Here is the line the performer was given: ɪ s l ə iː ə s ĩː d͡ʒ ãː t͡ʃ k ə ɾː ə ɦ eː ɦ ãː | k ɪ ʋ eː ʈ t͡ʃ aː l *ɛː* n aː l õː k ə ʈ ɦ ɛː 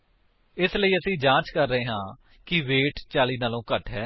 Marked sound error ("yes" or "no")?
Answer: yes